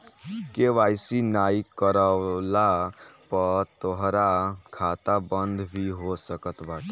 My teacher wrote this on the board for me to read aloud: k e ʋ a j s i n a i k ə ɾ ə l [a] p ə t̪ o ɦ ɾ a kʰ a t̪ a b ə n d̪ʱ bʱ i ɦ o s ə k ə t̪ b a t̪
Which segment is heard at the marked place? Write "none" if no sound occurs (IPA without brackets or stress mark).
a